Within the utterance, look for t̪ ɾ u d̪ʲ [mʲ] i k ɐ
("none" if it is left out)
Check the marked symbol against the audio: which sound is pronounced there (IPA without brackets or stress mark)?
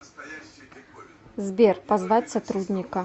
nʲ